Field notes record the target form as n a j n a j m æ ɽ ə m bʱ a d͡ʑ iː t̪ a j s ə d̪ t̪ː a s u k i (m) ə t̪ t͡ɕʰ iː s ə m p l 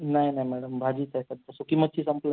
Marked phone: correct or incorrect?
correct